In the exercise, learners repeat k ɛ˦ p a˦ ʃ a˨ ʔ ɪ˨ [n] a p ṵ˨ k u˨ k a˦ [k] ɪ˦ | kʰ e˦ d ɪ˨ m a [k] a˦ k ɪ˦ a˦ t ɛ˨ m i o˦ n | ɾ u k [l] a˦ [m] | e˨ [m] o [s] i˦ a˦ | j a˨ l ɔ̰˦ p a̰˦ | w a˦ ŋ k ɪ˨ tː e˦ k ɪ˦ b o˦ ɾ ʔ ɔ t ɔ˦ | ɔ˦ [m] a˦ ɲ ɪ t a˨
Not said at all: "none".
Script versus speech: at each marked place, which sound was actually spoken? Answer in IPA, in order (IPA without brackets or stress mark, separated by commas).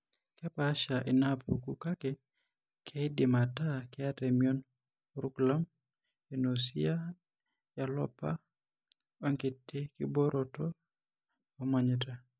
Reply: n, k, t, l, m, n, s, m